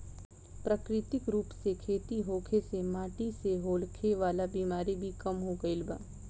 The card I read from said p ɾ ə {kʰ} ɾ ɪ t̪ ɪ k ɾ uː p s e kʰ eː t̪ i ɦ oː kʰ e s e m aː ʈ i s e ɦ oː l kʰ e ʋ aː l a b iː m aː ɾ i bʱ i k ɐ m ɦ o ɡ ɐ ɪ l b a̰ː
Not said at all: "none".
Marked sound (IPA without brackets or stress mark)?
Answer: k